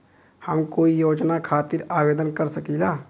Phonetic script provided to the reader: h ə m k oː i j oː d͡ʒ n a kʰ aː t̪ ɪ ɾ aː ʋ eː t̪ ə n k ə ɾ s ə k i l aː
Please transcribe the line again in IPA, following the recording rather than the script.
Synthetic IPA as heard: h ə m k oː i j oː d͡ʒ n a kʰ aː t̪ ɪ ɾ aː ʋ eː d̪ ə n k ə ɾ s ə k i l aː